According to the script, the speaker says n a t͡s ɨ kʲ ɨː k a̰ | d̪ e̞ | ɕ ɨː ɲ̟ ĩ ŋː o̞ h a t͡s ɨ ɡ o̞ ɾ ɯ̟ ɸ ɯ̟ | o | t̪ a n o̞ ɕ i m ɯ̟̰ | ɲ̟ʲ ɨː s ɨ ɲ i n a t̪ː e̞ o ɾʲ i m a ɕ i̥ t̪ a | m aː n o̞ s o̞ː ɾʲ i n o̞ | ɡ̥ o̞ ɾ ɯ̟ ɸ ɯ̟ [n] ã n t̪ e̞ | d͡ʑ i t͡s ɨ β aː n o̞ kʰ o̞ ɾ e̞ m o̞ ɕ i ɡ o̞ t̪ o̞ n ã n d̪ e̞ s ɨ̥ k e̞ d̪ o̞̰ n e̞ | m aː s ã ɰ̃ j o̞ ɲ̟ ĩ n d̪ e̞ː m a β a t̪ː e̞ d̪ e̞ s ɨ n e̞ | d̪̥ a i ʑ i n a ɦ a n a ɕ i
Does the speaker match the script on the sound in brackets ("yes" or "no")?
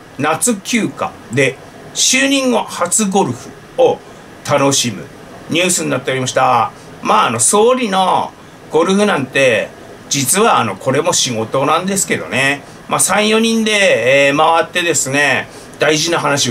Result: yes